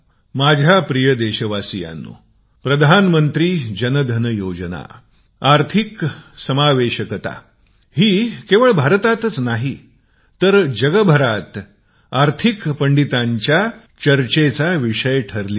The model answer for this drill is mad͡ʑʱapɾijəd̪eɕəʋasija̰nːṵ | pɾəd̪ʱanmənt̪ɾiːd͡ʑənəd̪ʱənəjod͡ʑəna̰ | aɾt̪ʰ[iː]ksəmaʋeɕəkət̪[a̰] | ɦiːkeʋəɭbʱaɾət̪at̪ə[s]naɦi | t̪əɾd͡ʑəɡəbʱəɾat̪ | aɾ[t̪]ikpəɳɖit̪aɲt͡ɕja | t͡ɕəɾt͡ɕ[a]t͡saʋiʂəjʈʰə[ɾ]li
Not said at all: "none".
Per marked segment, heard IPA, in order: i, a̰, t͡s, t̪ʰ, e, ɾ

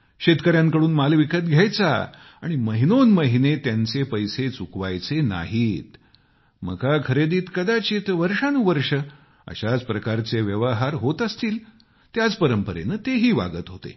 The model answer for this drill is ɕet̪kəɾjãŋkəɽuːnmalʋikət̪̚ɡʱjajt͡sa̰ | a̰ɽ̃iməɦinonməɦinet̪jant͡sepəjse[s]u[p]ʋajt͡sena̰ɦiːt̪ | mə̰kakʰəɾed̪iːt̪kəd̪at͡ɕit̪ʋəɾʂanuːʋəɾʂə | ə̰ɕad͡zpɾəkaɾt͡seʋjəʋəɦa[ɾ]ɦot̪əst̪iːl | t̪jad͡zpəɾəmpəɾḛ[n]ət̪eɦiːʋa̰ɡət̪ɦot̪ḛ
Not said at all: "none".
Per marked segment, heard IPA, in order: t͡s, k, ɾ, n

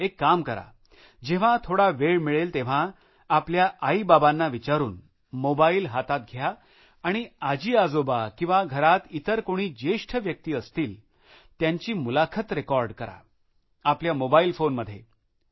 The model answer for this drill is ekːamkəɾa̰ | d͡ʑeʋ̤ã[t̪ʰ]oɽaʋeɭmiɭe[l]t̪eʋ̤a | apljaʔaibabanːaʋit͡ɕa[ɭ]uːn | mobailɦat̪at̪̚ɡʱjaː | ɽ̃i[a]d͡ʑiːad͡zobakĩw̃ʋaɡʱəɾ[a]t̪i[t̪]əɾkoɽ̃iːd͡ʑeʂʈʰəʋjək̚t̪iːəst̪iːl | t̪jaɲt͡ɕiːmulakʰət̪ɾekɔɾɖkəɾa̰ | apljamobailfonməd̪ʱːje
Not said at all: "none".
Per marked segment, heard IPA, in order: t̪ʰ, l, ɾ, a, a, t̪

